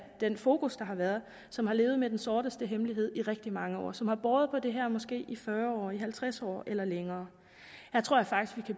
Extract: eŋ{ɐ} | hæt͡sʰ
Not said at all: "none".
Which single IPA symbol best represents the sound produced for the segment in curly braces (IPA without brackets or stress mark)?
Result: ɐː